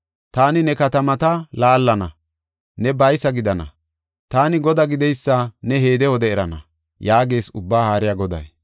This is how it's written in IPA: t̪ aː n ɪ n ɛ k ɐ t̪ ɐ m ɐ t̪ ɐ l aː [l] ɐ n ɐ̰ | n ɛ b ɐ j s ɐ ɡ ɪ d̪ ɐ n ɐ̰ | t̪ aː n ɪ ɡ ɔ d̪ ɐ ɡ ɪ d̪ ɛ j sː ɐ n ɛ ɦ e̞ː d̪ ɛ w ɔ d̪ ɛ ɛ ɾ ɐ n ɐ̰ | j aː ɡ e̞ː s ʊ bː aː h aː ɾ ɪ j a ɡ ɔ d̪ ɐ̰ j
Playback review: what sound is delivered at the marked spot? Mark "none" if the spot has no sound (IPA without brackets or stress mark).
lː